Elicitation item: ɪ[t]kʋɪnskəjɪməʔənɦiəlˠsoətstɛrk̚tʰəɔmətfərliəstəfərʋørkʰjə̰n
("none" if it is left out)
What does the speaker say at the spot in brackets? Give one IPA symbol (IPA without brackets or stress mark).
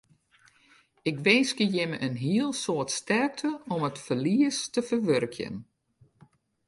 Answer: none